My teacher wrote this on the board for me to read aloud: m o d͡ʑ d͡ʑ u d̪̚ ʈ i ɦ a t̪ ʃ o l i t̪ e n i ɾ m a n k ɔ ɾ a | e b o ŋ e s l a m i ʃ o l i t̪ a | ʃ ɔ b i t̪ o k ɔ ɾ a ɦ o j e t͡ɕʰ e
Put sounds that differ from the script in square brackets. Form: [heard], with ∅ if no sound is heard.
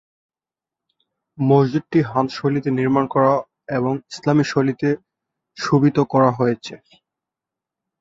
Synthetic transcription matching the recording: m o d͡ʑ d͡ʑ u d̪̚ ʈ i ɦ a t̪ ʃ o l i t̪ e n i ɾ m a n k ɔ ɾ a | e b o ŋ [i] s l a m i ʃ o l i t̪ [e] | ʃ [u] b i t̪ o k ɔ ɾ a ɦ o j e t͡ɕʰ e